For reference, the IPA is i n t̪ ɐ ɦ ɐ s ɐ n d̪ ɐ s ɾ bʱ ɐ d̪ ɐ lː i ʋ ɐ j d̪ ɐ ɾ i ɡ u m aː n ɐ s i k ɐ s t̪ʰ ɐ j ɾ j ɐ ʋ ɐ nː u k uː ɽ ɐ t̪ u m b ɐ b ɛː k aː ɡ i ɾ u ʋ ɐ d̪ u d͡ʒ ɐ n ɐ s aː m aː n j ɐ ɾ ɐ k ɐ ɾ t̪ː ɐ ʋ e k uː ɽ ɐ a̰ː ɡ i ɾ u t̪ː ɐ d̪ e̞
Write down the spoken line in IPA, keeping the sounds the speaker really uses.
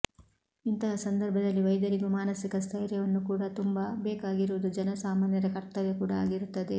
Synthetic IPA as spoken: i n t̪ ɐ ɦ ɐ s ɐ n d̪ ɐ ɾ bʱ ɐ d̪ ɐ lː i ʋ ɐ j d̪ ɐ ɾ i ɡ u m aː n ɐ s i k ɐ s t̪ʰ ɐ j ɾ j ɐ ʋ ɐ nː u k uː ɽ ɐ t̪ u m b ɐ b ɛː k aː ɡ i ɾ u ʋ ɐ d̪ u d͡ʒ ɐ n ɐ s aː m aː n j ɐ ɾ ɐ k ɐ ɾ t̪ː ɐ ʋ e k uː ɽ ɐ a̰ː ɡ i ɾ u t̪ː ɐ d̪ e̞